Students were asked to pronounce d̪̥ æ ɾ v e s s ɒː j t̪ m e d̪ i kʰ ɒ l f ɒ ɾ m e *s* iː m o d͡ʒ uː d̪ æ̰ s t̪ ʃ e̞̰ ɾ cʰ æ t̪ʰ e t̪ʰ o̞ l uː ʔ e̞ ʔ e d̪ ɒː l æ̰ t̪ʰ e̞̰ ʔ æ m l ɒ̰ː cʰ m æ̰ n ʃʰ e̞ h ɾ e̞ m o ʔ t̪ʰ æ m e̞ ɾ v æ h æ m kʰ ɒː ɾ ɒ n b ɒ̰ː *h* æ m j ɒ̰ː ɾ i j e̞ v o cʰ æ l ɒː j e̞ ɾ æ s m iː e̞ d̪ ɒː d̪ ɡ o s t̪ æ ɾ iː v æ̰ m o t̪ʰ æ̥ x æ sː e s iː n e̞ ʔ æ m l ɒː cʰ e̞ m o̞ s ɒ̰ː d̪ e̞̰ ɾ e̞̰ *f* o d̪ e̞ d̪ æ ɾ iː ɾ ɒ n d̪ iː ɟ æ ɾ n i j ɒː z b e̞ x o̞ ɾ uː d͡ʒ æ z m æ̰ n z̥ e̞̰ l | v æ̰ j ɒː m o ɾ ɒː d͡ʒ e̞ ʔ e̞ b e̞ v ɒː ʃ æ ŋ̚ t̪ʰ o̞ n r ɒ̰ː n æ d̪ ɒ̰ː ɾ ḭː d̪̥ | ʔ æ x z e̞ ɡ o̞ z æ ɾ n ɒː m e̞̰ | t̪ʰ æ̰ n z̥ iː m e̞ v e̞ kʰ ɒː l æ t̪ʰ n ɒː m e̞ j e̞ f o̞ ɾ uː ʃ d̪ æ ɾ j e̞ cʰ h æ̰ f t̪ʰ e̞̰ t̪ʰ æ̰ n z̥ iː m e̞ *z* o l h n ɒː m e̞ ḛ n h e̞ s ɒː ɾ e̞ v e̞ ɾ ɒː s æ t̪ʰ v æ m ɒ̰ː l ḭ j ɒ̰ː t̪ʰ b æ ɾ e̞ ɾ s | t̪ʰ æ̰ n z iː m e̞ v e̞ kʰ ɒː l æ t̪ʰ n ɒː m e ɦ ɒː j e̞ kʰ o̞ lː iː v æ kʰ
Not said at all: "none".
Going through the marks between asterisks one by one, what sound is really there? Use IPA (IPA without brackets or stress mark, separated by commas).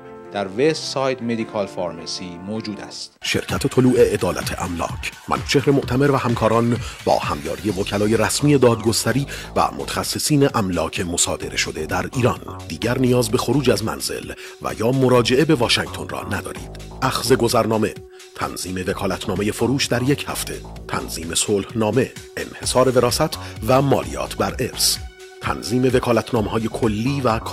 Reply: s, h, ʃ, s